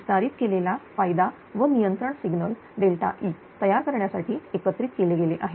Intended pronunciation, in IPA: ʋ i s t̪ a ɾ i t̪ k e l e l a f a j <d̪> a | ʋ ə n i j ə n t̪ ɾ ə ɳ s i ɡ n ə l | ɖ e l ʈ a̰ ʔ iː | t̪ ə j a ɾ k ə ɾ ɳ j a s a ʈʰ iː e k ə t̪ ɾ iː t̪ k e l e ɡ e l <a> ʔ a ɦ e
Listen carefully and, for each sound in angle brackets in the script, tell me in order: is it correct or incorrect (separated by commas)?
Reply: correct, incorrect